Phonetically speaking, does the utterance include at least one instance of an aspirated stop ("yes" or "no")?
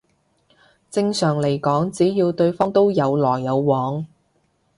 no